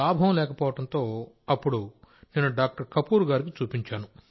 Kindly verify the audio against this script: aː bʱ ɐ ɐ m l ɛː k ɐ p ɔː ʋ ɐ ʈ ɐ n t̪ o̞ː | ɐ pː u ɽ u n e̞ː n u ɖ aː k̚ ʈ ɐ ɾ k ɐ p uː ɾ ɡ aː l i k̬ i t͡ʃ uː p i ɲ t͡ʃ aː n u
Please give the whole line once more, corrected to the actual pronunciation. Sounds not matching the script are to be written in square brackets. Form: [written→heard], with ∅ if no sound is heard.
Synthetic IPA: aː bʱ ɐ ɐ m l ɛː k ɐ p ɔː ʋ ɐ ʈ ɐ n t̪ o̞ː | ɐ pː u ɽ u n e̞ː n u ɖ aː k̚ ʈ ɐ ɾ k ɐ p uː ɾ ɡ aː [l→ɾ] i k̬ i t͡ʃ uː p i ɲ t͡ʃ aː n u